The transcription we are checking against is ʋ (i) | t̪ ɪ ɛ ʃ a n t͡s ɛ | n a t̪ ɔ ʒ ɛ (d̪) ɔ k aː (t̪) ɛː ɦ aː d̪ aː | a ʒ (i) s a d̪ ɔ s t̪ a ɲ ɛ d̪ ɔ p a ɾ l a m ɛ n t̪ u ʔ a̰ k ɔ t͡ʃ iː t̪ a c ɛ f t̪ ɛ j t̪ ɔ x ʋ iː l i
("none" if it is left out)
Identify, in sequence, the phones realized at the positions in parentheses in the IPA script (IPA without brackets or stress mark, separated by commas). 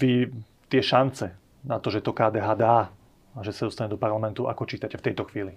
i, t̪, d̪, ɛ